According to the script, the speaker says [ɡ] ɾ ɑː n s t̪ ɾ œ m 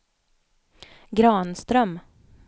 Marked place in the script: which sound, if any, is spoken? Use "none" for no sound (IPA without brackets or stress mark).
ɡ